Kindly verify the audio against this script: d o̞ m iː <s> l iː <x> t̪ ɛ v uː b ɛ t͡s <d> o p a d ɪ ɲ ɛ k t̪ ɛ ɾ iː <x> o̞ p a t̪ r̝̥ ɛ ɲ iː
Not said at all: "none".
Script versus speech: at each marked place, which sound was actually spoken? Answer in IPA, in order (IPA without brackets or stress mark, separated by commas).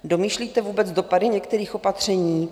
ʃ, none, d, x